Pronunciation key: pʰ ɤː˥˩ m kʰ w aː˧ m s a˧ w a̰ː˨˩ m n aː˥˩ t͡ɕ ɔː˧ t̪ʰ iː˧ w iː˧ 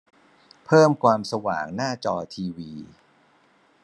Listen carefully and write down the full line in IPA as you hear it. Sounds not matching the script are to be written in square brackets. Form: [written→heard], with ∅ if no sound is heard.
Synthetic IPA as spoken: pʰ ɤː˥˩ m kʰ w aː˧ m s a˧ w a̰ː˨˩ [m→ŋ] n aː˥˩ t͡ɕ ɔː˧ t̪ʰ iː˧ w iː˧